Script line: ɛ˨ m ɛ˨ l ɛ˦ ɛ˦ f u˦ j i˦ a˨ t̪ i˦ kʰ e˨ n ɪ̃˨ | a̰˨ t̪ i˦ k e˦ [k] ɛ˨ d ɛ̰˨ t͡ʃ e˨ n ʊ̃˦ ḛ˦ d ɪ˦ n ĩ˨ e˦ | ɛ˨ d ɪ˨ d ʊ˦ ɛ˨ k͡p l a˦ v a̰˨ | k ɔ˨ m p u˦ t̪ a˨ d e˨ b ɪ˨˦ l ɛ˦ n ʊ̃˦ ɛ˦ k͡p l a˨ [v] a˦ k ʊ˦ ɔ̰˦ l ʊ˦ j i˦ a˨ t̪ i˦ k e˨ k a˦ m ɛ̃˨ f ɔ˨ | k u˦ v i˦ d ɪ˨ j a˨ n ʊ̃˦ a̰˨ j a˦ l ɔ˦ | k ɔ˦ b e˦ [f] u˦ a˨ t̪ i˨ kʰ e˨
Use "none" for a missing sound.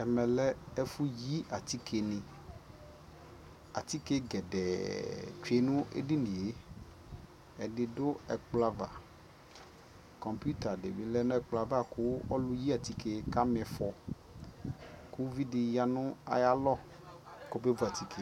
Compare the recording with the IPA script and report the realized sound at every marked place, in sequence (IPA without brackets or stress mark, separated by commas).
ɡ, v, v